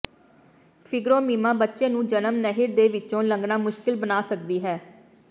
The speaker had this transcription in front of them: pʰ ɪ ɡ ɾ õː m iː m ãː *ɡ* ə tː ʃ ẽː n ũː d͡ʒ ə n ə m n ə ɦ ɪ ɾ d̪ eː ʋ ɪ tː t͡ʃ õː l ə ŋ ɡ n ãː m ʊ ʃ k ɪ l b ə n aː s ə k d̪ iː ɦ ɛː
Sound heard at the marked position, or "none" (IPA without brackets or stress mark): b